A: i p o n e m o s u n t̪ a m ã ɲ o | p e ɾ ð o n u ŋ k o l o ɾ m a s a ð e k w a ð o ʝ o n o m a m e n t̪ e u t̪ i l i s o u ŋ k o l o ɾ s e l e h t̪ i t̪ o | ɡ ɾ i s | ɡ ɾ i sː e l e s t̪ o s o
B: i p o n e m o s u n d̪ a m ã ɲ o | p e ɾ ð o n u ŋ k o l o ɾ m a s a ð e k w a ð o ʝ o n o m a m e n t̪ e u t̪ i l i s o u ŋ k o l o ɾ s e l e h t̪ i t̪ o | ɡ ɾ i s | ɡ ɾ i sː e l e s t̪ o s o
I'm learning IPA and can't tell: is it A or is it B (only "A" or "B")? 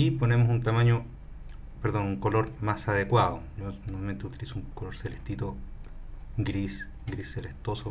A